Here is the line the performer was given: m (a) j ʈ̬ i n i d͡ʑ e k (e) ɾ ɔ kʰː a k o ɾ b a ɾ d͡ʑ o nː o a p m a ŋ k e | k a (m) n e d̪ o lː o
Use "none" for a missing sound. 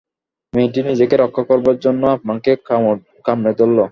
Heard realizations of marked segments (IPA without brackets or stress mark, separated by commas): e, e, m